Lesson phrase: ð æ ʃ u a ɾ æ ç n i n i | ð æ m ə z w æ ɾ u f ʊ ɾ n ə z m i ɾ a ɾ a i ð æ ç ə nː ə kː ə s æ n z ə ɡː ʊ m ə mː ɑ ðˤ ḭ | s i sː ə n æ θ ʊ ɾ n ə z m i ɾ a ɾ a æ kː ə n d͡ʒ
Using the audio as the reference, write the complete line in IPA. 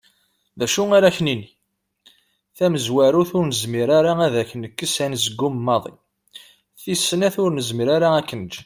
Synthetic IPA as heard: ð æ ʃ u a ɾ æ ç n i n i | θ æ m ə z w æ ɾ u θ ʊ ɾ n ə z m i ɾ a ɾ a æ ð æ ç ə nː ə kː ə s æ n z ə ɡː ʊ m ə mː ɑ ðˤ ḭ | θ i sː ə n æ θ ʊ ɾ n ə z m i ɾ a ɾ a æ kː ə n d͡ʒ